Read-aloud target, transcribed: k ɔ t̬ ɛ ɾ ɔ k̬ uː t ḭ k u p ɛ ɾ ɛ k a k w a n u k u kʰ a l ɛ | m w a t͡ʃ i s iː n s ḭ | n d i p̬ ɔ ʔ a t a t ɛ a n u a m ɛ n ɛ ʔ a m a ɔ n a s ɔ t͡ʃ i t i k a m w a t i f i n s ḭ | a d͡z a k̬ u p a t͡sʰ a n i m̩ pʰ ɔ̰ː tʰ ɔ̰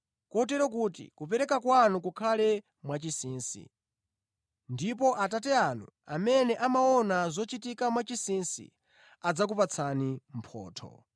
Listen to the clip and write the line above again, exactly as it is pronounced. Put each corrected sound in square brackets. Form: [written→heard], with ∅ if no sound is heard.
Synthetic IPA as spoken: k ɔ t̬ ɛ ɾ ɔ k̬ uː t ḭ k u p ɛ ɾ ɛ k a k w a n u k u kʰ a l ɛ | m w a t͡ʃ i s iː n s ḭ | n d i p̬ ɔ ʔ a t a t ɛ a n u a m ɛ n ɛ ʔ a m a ɔ n a [s→z] ɔ t͡ʃ i t i k a m w a [t→t͡ʃ] i [f→s] i n s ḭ | a d͡z a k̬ u p a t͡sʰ a n i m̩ pʰ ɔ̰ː tʰ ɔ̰